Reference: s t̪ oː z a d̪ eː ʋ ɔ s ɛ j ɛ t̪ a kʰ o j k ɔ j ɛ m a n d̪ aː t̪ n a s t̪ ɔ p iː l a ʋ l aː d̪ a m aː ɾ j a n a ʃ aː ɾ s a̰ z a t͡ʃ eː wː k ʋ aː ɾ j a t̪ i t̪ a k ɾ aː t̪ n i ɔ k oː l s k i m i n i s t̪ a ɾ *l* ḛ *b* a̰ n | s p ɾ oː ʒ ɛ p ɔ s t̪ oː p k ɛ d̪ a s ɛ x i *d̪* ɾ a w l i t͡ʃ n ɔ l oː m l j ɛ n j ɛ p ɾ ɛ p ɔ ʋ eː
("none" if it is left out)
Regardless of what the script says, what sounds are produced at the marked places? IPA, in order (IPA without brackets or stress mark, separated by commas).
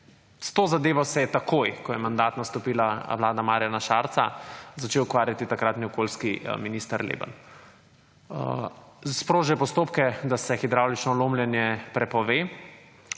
l, b, d̪